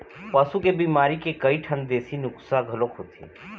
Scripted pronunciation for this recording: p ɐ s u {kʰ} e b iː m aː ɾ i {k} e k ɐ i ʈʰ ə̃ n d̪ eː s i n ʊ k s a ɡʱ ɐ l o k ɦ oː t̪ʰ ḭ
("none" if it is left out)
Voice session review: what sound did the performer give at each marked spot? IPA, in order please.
k, k

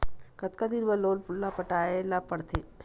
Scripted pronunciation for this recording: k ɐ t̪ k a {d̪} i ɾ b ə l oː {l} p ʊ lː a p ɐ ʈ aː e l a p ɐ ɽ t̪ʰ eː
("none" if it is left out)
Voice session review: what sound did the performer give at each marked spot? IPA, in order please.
d̪, l

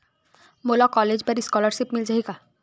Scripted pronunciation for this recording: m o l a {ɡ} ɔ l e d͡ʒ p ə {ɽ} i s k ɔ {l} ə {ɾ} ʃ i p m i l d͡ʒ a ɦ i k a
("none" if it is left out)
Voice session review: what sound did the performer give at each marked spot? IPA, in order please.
k, ɾ, l, ɾ

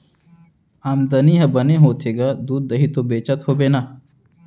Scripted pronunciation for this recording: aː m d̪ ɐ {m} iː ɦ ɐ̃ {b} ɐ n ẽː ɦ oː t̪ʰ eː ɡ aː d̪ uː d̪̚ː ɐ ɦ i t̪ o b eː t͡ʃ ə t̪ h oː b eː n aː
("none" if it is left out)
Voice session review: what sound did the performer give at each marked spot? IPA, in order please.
n, b

